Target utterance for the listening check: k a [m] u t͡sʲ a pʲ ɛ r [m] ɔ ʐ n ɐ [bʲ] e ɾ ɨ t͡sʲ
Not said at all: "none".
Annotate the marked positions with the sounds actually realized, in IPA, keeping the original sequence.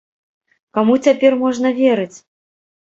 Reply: m, m, vʲ

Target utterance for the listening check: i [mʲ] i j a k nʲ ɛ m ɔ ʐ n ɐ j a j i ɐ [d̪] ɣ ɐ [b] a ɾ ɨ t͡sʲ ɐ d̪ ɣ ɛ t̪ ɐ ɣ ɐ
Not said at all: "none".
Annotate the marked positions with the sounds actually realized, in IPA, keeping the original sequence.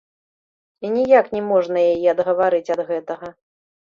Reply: nʲ, d̪, v

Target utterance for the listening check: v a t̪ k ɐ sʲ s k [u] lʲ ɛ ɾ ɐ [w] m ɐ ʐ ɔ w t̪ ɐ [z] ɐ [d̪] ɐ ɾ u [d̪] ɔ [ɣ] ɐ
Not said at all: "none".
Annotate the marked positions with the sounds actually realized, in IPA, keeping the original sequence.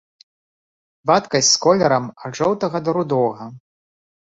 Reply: ɔ, none, ɣ, d̪, d̪, ɣ

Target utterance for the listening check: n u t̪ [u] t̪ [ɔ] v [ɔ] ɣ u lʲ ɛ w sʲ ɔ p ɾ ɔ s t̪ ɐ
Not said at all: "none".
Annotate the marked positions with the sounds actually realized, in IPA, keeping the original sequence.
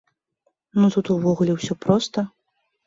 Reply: u, u, ɔ

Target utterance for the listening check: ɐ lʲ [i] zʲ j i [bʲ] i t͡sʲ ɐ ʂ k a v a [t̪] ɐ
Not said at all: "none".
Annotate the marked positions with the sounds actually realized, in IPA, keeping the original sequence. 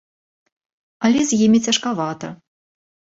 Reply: ɛ, mʲ, t̪

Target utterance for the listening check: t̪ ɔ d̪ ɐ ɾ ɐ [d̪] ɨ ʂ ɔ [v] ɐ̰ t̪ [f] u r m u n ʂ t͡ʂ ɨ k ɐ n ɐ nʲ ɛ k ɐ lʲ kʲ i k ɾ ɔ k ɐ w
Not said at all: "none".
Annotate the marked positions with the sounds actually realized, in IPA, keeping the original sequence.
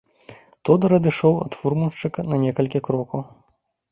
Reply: d̪, w, f

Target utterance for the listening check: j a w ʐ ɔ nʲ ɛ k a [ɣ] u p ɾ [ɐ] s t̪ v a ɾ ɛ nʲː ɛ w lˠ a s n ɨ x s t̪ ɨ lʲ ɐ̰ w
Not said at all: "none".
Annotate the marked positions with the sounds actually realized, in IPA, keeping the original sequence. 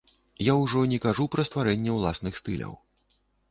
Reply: ʐ, ɐ

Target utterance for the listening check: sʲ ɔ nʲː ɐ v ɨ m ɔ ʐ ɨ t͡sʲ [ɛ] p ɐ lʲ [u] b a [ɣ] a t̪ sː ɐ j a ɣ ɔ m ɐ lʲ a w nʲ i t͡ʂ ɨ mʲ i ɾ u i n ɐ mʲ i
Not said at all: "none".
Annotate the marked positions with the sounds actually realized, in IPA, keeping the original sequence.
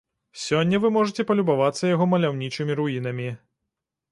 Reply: ɛ, u, v

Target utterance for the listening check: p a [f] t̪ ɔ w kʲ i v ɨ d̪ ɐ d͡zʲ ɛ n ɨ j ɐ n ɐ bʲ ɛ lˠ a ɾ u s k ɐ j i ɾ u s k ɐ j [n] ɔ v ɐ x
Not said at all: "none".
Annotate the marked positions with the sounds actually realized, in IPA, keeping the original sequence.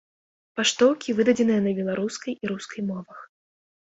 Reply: ʂ, m

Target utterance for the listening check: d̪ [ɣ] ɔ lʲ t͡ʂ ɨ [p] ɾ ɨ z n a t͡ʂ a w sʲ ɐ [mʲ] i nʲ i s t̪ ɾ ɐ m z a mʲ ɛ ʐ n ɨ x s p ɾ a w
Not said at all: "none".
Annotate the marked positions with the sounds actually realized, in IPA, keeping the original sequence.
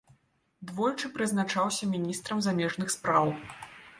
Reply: v, p, mʲ

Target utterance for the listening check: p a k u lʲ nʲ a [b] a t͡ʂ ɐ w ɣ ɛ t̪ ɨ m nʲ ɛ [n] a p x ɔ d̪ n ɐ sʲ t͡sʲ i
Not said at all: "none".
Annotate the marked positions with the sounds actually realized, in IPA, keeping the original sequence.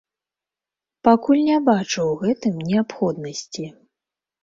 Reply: b, none

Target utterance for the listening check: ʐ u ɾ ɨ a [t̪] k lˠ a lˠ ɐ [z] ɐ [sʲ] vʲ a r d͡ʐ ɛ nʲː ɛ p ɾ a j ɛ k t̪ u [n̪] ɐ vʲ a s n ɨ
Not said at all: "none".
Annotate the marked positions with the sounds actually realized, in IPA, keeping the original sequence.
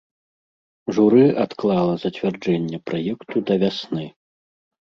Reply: t̪, z, t͡sʲ, d̪

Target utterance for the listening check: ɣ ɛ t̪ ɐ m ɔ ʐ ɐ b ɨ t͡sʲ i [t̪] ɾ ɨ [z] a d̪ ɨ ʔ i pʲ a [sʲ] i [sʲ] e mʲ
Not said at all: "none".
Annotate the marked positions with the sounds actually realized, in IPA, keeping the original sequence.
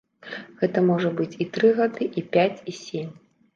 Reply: t̪, ɣ, t͡sʲ, sʲ

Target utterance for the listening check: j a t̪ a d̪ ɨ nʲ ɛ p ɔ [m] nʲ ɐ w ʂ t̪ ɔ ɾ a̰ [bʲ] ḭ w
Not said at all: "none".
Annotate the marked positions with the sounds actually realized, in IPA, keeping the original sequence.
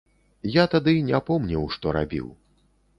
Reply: m, bʲ

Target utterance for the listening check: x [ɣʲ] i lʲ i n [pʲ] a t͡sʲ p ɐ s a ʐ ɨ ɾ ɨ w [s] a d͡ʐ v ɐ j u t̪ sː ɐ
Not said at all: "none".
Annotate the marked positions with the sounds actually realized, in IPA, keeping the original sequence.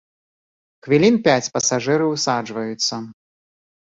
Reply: vʲ, pʲ, s

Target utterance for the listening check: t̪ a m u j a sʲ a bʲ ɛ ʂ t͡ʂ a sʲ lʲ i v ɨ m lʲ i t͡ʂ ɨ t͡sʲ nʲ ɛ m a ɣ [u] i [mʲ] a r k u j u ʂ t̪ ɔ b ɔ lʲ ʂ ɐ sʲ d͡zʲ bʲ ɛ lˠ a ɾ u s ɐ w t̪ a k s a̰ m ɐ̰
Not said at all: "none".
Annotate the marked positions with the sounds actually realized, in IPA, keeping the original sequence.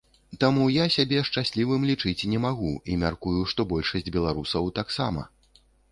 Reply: u, mʲ

